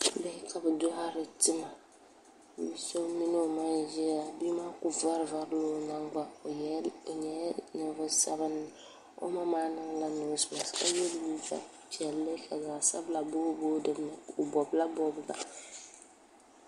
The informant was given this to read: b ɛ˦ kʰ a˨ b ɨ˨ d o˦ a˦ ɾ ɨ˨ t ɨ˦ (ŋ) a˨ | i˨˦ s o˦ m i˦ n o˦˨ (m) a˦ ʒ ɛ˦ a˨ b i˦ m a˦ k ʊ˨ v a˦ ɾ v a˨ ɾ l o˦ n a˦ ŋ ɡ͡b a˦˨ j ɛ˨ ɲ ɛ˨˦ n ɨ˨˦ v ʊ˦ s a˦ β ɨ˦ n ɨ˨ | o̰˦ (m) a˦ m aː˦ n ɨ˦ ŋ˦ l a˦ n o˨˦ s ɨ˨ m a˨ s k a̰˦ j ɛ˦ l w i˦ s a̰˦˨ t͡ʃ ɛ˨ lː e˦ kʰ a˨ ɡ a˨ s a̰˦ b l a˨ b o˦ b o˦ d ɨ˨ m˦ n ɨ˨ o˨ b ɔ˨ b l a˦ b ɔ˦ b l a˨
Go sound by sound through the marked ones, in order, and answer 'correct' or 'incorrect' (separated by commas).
incorrect, correct, correct